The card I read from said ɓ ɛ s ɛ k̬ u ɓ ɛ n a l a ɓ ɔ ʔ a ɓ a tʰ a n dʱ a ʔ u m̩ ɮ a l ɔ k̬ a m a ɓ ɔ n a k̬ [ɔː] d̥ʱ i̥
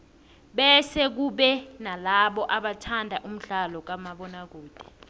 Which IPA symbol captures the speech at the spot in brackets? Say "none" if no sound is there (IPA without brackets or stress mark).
uː